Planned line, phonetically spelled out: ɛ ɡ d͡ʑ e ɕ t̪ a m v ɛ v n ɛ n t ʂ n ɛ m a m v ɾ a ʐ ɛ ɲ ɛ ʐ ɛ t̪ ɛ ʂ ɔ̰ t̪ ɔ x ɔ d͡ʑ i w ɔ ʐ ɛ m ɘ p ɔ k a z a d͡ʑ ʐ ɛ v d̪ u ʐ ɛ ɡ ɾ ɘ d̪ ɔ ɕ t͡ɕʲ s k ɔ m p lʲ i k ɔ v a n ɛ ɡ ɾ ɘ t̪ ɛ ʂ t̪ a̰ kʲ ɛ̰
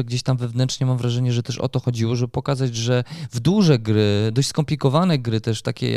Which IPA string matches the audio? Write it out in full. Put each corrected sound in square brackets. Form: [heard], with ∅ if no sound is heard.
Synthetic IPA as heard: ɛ ɡ d͡ʑ e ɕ t̪ a m v ɛ v n ɛ n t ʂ [ɲ] ɛ m a m v ɾ a ʐ ɛ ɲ ɛ ʐ ɛ t̪ ɛ ʂ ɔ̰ t̪ ɔ x ɔ d͡ʑ i w ɔ ʐ ɛ [b] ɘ p ɔ k a z a d͡ʑ ʐ ɛ v d̪ u ʐ ɛ ɡ ɾ ɘ d̪ ɔ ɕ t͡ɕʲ s k ɔ m p lʲ i k ɔ v a n ɛ ɡ ɾ ɘ t̪ ɛ ʂ t̪ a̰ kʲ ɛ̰